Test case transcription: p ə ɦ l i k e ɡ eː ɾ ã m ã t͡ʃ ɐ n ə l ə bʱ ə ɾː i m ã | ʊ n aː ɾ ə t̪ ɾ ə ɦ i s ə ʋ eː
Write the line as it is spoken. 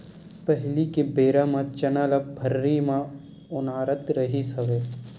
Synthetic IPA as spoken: p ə ɦ l i k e b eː ɾ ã m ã t͡ʃ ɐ n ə l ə bʱ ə ɾː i m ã | ʊ n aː ɾ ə t̪ ɾ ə ɦ i s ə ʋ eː